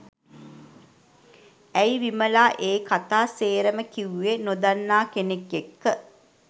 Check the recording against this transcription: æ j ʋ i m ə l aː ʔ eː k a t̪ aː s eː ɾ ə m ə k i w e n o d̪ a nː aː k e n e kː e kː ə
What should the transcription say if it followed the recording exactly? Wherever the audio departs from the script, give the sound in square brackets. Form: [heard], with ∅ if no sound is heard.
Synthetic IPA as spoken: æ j ʋ i m ə l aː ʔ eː k a t̪ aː s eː ɾ ə m ə k i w e n o d̪ a nː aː k e n e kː e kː ə